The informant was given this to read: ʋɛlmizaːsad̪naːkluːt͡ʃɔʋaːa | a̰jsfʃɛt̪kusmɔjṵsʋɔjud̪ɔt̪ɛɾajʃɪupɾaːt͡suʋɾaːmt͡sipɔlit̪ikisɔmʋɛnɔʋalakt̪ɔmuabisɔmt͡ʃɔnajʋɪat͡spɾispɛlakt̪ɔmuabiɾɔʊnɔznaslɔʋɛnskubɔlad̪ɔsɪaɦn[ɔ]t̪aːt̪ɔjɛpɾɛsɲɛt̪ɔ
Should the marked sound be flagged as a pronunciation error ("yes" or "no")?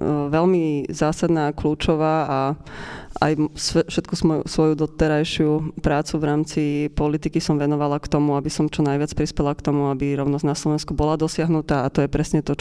yes